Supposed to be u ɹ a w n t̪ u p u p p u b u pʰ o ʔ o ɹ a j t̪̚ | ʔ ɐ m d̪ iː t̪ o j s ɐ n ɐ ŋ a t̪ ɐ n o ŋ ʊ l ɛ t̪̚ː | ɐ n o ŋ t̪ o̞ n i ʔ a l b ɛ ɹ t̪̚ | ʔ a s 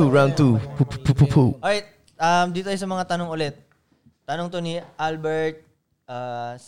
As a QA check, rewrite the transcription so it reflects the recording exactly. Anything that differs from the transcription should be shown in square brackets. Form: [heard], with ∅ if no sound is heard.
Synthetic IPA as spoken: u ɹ a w n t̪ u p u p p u [p] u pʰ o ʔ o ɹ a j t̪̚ | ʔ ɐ m d̪ iː t̪ o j s ɐ [m] ɐ ŋ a t̪ ɐ n o ŋ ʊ l ɛ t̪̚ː | ɐ n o ŋ t̪ o̞ n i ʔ a l b ɛ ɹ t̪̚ | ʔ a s